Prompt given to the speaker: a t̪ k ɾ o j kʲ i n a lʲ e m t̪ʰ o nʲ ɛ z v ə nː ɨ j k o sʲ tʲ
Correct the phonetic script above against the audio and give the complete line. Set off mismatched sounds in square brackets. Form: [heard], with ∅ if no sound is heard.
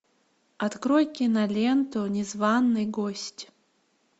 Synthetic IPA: a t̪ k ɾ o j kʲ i n a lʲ e [n] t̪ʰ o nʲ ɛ z v [a] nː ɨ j [ɡ] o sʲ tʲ